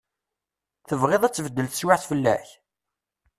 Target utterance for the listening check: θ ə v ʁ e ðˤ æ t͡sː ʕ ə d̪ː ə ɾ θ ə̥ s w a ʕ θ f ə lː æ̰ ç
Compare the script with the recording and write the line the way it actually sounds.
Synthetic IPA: θ ə v ʁ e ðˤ æ t͡sː v ə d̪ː ə l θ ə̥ s w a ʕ θ f ə lː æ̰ ç